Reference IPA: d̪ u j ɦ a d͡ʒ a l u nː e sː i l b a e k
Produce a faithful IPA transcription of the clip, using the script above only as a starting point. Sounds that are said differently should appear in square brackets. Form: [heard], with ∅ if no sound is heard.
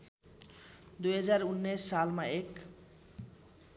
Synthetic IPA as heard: d̪ u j ɦ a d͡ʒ a [ɾ] u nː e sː [a] l [m] a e k

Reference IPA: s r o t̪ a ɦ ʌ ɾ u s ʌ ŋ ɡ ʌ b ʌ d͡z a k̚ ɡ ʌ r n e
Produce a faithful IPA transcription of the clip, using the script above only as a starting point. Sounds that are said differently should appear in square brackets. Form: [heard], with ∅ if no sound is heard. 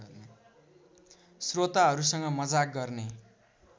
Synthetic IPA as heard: s r o t̪ a ɦ ʌ ɾ u s ʌ ŋ ɡ ʌ [m] ʌ d͡z a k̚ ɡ ʌ r n e

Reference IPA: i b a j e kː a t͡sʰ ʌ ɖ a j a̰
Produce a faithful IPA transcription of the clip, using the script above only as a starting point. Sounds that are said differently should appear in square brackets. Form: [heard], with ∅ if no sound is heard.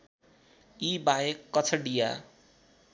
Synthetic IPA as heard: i b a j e kː [ʌ] t͡sʰ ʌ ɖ [i] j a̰

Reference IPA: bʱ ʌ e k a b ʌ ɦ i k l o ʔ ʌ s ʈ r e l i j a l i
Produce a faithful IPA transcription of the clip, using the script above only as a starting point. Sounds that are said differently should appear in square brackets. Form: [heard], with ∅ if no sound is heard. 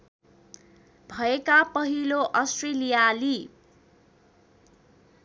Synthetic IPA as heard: bʱ ʌ e k a [p] ʌ ɦ i [∅] l o ʔ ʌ s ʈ r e l i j a l i

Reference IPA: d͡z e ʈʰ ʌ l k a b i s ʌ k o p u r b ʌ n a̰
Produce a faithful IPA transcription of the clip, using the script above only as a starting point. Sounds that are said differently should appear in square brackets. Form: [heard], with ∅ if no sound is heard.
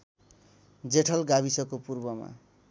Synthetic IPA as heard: d͡z e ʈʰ ʌ l [ɡ] a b i s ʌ k o p u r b ʌ [m] a̰

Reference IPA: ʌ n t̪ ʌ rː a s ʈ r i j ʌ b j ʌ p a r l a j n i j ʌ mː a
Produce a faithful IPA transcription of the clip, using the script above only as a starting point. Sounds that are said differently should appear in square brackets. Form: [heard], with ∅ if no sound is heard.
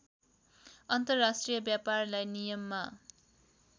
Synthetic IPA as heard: ʌ n t̪ ʌ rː a s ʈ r i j ʌ b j [a] p a r l a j n i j ʌ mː a

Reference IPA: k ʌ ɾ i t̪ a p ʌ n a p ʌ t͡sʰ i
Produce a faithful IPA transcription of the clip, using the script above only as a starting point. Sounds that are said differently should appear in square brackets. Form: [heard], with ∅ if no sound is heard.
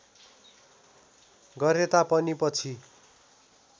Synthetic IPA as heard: [ɡ] ʌ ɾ [e] t̪ a p ʌ n [i] p ʌ t͡sʰ i

